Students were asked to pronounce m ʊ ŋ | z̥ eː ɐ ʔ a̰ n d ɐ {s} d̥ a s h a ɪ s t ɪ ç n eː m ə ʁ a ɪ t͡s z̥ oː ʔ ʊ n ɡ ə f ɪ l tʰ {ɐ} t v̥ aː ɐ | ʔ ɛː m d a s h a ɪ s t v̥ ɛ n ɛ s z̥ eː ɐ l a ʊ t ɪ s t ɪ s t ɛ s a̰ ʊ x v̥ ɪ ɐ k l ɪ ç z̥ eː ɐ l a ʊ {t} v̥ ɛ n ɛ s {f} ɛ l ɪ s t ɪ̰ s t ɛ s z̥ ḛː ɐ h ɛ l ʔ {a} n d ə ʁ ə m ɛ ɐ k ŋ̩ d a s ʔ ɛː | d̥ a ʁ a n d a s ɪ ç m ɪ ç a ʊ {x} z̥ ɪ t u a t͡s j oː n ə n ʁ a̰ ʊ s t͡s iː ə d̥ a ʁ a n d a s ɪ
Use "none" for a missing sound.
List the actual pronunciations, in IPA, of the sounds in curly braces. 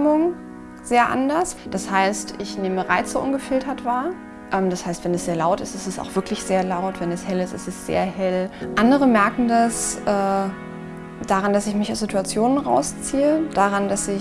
s, ɐ, t, h, a, s

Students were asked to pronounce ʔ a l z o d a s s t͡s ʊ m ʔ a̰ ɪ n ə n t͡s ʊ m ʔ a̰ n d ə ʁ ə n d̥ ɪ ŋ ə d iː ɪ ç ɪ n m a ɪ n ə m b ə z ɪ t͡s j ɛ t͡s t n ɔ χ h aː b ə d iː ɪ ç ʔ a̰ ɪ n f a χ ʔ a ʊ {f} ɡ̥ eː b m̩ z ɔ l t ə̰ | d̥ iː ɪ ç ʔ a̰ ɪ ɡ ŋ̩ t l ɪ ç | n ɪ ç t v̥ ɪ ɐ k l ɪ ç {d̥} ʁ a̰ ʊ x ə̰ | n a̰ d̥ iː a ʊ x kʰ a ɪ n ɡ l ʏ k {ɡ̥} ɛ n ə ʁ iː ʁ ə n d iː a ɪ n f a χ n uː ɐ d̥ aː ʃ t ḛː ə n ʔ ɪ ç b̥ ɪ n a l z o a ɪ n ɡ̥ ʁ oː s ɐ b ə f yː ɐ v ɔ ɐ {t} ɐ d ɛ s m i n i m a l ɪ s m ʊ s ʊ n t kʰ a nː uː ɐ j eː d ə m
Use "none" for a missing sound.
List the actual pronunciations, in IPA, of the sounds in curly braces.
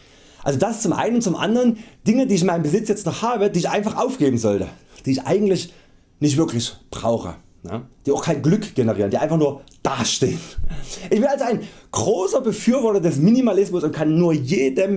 f, b̥, ɡ̥, t

